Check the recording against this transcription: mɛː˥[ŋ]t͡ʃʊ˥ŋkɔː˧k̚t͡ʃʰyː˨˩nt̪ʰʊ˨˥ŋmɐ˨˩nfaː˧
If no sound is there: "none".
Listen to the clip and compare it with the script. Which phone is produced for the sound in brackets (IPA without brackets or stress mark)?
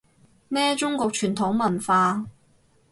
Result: none